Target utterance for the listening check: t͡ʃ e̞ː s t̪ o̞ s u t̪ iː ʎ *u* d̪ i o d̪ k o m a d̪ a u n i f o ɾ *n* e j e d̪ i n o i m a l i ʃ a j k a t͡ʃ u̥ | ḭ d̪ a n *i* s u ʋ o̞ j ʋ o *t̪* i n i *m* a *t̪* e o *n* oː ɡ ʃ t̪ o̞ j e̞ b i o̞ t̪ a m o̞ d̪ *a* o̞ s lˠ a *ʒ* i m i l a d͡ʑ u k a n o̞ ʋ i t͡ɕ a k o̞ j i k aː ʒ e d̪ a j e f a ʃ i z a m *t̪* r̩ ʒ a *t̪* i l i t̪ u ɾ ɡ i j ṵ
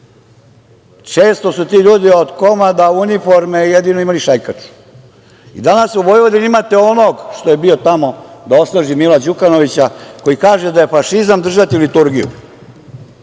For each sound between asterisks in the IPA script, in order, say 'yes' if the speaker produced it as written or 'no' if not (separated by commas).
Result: no, no, no, no, yes, yes, yes, yes, yes, no, yes